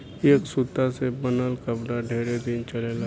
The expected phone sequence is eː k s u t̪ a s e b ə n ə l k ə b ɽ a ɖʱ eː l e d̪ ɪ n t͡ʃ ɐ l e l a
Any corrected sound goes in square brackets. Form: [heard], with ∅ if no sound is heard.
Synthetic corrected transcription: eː k s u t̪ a s e b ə n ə l k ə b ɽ a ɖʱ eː [ɾ] e d̪ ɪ n t͡ʃ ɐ l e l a